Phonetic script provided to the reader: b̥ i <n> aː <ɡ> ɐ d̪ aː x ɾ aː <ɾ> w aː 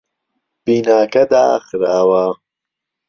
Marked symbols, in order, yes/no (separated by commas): yes, no, no